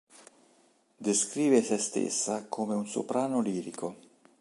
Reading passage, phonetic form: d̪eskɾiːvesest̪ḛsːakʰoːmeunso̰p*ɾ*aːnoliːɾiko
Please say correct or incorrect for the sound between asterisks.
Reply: correct